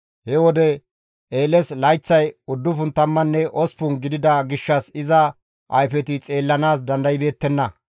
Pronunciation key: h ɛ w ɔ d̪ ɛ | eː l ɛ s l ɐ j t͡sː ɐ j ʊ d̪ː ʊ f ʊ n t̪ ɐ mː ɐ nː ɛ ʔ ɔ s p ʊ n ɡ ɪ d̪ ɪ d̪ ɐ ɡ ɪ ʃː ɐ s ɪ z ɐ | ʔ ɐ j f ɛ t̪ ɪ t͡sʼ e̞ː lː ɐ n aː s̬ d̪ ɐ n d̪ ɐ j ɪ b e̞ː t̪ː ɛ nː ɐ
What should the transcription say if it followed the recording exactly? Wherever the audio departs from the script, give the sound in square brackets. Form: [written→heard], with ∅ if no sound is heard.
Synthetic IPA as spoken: h ɛ w ɔ d̪ ɛ | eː l ɛ s l ɐ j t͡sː ɐ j ʊ d̪ː ʊ f ʊ n t̪ ɐ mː ɐ nː ɛ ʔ ɔ s p ʊ n ɡ ɪ d̪ ɪ d̪ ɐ ɡ ɪ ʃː ɐ s ɪ z ɐ | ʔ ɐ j f ɛ t̪ ɪ t͡sʼ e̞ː lː ɐ n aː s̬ d̪ ɐ n d̪ ɐ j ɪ b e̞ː t̪ː ɛ nː ɐ